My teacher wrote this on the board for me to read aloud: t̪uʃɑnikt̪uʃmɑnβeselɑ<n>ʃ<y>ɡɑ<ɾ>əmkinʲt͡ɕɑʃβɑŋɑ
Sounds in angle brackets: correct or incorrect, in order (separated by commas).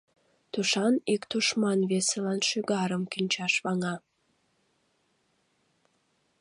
correct, correct, correct